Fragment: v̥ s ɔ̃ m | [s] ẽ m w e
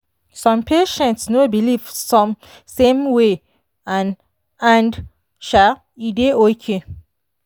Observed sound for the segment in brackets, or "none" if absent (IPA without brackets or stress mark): s